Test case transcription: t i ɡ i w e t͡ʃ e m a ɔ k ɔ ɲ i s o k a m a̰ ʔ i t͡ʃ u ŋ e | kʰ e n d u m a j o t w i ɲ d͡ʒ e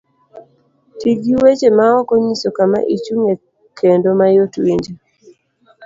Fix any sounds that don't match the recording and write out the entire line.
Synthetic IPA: t i ɡ i w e t͡ʃ e m a ɔ k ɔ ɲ i s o k a m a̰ ʔ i t͡ʃ u ŋ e | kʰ e n d o m a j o t w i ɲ d͡ʒ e